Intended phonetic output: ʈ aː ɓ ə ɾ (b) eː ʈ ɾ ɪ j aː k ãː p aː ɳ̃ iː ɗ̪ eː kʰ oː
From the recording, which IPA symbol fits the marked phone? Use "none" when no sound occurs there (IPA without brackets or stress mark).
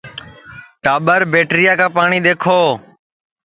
b